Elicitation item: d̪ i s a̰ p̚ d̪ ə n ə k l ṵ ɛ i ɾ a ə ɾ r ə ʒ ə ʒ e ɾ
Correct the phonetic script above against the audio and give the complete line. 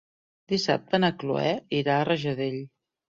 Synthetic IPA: d̪ i s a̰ p̚ t̪ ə n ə k l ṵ ɛ i ɾ a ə r ə ʒ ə ð e ʎ

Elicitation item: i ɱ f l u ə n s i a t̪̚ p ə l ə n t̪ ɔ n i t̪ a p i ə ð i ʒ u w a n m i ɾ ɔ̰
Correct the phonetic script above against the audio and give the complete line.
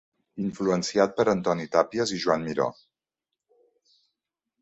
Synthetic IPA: i ɱ f l u ə n s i a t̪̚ p ə ɾ ə n t̪ ɔ n i t̪ a p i ə z i ʒ u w a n m i ɾ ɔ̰

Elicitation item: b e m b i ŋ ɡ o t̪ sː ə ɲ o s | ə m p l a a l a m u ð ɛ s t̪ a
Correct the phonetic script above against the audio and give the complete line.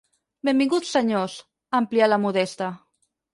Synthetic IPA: b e m b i ŋ ɡ u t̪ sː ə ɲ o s | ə m p l i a l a m u ð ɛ s t̪ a

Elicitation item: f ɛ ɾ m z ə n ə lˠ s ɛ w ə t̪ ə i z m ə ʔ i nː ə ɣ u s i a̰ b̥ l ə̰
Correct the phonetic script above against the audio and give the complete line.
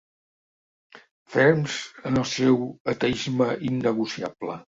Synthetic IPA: f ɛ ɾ m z ə n ə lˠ s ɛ w ə t̪ ə i z m ə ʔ i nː ə ɣ u s i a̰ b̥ l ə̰

